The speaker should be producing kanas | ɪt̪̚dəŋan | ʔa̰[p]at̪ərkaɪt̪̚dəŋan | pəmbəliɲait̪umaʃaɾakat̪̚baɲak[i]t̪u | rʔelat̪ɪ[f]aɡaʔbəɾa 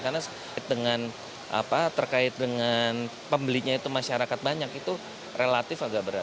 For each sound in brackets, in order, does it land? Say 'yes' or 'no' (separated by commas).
yes, yes, yes